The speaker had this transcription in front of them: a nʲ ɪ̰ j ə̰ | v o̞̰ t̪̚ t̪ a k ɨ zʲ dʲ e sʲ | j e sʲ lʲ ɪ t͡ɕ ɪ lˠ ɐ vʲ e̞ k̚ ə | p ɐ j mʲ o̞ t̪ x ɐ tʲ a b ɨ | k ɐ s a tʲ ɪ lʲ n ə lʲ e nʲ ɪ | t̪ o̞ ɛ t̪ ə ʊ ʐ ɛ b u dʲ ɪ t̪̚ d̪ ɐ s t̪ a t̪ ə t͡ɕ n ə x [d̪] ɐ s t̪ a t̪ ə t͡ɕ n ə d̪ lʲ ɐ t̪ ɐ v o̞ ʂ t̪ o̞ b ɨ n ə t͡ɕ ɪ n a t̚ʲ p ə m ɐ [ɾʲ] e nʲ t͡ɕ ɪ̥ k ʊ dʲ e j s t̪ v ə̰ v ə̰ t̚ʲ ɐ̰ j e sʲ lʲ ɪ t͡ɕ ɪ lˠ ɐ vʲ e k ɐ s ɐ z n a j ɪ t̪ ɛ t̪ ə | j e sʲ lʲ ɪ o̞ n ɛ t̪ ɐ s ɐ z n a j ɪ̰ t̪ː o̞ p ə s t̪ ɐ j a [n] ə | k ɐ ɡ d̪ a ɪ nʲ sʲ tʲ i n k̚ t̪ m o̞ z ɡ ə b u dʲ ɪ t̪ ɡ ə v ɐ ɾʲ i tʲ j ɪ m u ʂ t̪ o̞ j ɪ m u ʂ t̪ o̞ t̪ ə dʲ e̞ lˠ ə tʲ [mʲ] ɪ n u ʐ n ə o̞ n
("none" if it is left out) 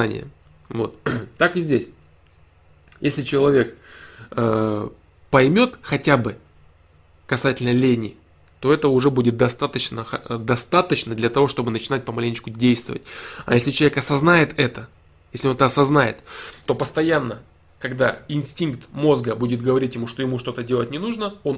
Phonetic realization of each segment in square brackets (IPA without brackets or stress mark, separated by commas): d̪, lʲ, nː, nʲ